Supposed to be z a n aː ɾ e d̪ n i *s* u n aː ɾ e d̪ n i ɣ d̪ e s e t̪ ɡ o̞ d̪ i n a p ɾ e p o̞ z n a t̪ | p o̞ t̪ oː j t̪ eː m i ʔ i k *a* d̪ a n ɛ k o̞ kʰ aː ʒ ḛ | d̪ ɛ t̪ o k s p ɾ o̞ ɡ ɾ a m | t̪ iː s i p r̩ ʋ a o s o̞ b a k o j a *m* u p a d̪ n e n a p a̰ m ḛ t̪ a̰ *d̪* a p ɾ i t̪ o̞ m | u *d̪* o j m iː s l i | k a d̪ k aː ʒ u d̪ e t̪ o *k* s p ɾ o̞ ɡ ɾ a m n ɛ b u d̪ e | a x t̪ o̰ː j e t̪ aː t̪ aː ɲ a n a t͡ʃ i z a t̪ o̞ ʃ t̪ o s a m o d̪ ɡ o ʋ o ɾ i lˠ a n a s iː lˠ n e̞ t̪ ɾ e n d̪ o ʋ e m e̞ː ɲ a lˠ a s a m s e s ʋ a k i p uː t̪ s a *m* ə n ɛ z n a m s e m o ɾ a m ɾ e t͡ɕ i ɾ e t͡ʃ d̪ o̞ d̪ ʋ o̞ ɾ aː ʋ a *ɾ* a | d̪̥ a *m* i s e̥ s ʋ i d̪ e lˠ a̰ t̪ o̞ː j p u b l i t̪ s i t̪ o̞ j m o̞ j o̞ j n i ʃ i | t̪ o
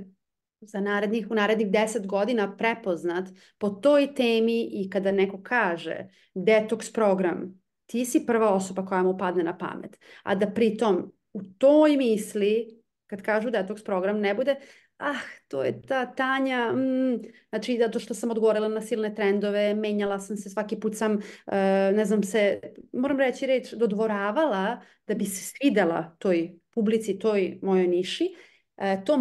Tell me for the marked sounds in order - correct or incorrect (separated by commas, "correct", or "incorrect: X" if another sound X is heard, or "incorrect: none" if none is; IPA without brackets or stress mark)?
incorrect: x, correct, correct, correct, incorrect: t̪, correct, correct, incorrect: l, incorrect: b